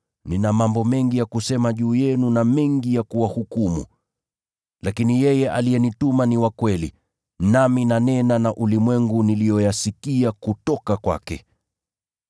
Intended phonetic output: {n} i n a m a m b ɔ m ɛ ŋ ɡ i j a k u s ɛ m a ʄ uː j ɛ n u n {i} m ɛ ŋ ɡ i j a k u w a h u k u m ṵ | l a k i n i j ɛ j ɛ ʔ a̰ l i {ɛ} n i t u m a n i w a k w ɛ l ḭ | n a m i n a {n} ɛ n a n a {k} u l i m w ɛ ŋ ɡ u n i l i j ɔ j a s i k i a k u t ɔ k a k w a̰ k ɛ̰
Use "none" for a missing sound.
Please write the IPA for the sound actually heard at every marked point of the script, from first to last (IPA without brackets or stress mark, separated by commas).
n, a, ɛ, n, ʔ